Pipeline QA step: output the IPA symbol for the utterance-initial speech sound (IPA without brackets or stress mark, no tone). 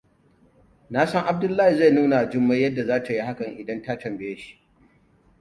n